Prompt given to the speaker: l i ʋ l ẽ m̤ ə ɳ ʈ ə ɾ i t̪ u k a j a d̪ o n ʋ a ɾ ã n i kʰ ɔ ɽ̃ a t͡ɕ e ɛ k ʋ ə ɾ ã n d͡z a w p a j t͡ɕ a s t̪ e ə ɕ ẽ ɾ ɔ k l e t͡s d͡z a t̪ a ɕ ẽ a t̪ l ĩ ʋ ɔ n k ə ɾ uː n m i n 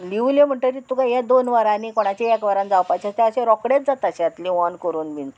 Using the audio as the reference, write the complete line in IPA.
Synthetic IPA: l i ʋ l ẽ m̤ ə ɳ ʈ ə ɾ i t̪ u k a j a d̪ o n ʋ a ɾ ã n i k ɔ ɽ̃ a t͡ɕ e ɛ k ʋ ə ɾ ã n d͡z a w p a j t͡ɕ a s t̪ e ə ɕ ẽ ɾ ɔ k ɽ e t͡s d͡z a t̪ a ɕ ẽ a t̪ l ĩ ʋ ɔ n k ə ɾ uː n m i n